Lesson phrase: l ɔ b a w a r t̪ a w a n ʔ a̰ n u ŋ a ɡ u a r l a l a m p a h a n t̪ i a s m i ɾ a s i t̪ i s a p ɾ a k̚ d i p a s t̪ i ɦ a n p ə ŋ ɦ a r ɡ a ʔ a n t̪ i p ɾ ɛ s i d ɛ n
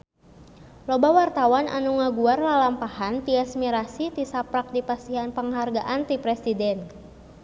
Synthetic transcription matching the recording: l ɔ b a w a r t̪ a w a n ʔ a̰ n u ŋ a ɡ u a r l a l a m p a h a n t̪ i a s m i ɾ a s i t̪ i s a p ɾ a k̚ d i p a s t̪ i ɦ a n p ə ŋ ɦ a r ɡ a ʔ a n t̪ i p ɾ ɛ s i d ɛ n